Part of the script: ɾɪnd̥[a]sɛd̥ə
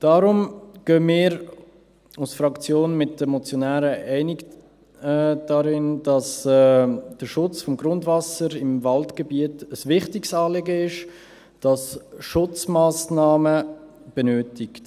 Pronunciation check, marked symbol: incorrect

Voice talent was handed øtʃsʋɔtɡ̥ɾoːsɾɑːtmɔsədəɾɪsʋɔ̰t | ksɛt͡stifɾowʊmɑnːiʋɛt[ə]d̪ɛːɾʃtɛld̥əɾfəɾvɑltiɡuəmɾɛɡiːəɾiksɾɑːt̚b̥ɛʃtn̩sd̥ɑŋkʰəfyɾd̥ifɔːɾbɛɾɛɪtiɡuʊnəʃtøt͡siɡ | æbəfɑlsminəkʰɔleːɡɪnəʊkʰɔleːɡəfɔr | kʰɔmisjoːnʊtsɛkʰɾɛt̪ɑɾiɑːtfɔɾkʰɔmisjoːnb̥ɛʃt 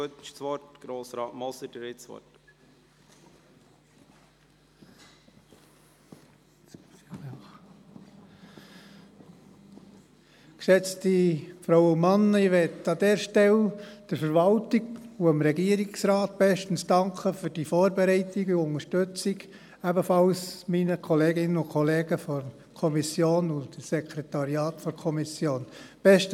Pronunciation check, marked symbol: incorrect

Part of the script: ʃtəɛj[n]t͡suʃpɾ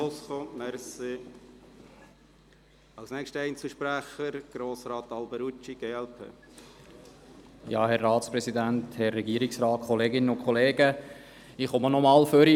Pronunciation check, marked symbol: correct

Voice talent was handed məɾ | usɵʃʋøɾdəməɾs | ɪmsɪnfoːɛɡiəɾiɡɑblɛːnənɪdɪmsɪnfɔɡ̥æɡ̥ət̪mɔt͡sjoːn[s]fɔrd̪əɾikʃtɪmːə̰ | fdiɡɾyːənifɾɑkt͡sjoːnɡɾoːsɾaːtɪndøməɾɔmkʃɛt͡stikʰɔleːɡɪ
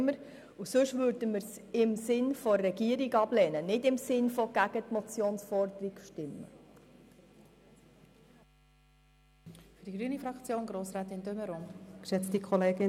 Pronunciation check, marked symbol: correct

